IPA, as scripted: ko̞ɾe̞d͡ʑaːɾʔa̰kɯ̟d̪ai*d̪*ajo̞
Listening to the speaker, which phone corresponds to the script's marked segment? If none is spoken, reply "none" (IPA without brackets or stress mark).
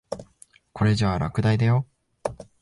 d̪